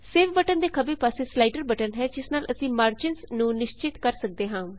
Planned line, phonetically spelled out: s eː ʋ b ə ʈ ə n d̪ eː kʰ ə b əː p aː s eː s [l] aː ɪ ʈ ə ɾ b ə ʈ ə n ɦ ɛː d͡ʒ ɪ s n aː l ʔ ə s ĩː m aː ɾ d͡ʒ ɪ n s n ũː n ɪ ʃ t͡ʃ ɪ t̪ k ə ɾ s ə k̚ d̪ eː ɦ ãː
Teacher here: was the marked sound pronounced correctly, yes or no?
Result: yes